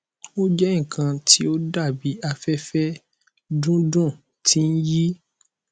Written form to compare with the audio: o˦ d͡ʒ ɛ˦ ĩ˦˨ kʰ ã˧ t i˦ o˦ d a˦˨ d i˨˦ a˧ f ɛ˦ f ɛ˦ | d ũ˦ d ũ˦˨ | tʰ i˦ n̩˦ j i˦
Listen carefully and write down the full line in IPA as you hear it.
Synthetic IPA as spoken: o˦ d͡ʒ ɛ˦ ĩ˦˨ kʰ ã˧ t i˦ o˦ d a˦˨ b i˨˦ a˧ f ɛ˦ f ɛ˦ | d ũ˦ d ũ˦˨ | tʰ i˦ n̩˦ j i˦